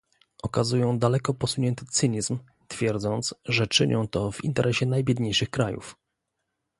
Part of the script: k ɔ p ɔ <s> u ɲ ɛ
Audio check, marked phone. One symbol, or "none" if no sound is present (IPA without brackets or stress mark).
s